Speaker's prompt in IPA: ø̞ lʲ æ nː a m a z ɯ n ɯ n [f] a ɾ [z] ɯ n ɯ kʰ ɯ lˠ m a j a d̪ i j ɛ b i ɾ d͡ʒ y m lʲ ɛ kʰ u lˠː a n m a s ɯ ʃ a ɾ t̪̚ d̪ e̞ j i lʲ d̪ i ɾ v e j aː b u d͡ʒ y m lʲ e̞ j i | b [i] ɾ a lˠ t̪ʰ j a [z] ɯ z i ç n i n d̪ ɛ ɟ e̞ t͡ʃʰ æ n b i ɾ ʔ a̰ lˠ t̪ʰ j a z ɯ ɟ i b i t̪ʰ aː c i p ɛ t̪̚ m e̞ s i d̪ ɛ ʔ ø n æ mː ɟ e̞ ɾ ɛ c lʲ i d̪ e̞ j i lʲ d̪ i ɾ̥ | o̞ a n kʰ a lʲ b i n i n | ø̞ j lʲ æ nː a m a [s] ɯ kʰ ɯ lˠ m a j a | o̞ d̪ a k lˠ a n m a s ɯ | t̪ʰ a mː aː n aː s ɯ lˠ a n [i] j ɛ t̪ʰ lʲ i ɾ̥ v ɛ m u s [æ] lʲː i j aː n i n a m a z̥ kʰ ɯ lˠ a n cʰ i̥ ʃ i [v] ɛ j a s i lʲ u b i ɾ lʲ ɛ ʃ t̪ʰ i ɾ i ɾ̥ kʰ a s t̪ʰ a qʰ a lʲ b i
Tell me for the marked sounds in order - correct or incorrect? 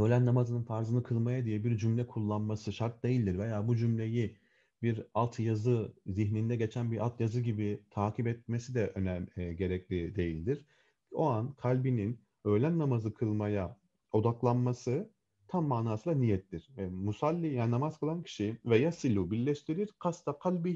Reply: correct, correct, correct, correct, incorrect, correct, incorrect, correct

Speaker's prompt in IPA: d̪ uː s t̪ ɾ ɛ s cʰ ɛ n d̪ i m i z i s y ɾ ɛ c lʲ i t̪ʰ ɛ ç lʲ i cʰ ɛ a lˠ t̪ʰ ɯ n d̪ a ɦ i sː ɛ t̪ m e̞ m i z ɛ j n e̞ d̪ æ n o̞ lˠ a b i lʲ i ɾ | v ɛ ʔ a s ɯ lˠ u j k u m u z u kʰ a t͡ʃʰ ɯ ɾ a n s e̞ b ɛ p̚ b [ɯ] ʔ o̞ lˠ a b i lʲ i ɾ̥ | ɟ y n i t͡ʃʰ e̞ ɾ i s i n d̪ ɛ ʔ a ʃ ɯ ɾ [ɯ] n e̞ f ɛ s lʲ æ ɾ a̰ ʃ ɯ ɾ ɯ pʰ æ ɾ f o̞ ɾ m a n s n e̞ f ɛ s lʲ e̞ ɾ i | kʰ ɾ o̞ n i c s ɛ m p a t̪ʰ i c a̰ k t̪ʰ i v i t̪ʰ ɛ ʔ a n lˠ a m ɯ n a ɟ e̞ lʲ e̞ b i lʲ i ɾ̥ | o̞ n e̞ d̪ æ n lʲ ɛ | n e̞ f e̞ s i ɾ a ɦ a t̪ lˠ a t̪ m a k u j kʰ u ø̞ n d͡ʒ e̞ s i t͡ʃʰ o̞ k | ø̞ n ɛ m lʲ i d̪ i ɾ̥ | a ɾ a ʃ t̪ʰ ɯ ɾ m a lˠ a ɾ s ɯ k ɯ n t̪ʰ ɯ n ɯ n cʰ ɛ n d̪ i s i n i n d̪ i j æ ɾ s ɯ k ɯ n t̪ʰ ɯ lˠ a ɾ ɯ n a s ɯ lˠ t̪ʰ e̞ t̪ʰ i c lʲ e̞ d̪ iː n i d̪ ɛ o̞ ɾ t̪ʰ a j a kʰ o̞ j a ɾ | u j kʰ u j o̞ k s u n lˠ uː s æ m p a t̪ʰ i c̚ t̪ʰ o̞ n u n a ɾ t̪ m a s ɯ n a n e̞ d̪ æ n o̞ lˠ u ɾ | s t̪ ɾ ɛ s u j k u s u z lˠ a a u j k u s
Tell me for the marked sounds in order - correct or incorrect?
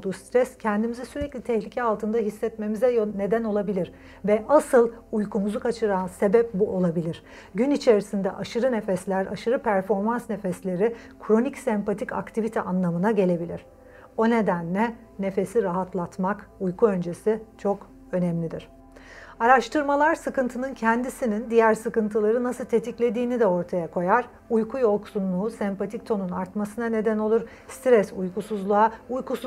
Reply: incorrect, correct

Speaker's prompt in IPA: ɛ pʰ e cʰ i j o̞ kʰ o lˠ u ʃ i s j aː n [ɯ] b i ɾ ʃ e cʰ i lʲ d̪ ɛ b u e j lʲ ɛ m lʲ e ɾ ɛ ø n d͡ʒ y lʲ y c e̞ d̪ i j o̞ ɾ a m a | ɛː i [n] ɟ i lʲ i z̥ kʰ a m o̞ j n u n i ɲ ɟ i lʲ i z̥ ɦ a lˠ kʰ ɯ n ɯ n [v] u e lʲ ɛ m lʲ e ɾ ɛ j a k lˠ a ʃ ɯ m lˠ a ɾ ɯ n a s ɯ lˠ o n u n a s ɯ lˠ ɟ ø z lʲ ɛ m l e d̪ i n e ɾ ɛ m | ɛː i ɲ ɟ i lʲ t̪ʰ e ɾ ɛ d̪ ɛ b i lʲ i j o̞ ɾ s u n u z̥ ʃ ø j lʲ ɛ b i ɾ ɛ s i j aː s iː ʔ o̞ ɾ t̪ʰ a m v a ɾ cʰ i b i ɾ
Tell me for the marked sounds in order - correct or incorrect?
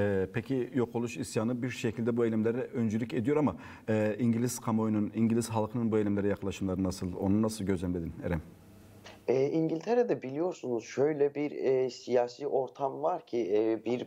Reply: correct, incorrect, incorrect

